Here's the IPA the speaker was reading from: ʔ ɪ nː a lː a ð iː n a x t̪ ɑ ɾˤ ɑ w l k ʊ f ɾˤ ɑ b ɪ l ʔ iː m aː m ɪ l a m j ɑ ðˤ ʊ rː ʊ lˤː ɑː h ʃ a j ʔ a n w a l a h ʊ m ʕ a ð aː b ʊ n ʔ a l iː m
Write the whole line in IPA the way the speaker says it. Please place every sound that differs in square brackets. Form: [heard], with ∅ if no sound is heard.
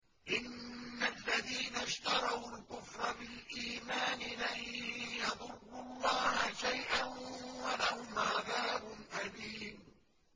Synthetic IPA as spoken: ʔ ɪ nː a lː a ð iː n a [ʃ] t̪ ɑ ɾˤ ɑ w l k ʊ f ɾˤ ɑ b ɪ l ʔ iː m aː [n] ɪ l a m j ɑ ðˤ ʊ rː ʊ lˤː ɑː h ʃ a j ʔ a n w a l a h ʊ m ʕ a ð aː b ʊ n ʔ a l iː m